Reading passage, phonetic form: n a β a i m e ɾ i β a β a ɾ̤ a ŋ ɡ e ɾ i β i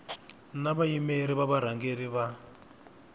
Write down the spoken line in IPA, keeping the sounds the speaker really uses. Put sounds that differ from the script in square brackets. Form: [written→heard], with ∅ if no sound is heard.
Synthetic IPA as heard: n a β a i m e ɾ i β a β a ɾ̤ a ŋ ɡ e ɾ i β [i→a]